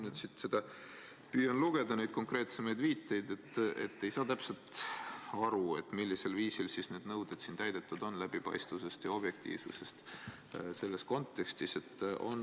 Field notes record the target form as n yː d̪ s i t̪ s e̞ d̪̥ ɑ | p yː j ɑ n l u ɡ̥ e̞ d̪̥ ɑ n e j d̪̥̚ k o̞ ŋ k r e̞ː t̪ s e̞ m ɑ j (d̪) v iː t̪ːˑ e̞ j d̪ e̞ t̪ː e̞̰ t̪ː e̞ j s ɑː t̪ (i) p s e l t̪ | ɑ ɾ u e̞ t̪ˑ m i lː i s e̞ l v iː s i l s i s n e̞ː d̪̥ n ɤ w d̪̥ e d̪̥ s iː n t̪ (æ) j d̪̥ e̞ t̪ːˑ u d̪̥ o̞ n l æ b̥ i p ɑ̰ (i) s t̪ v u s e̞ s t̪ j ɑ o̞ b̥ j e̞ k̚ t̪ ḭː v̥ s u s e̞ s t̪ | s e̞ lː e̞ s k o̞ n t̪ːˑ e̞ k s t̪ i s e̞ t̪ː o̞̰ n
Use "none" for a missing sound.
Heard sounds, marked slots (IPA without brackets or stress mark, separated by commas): d̪, æ, æ, j